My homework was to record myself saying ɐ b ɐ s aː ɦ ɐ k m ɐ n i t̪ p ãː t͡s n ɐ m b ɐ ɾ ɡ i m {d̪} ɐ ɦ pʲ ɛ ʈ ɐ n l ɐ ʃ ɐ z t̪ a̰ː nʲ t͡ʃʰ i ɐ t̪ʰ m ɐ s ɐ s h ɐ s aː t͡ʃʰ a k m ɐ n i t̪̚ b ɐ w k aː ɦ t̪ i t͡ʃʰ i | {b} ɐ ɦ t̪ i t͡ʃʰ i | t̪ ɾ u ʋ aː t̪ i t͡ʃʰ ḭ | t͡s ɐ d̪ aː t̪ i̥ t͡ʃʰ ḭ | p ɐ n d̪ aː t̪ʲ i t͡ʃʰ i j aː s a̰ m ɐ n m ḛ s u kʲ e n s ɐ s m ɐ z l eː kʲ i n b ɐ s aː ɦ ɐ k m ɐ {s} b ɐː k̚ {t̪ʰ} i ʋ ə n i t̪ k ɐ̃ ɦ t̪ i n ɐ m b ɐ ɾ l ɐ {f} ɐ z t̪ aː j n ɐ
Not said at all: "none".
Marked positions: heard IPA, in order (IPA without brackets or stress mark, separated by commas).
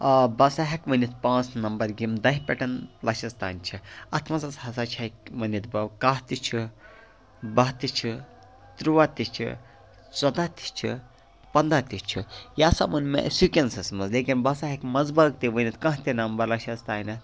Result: d̪, b, z, t̪, ʃ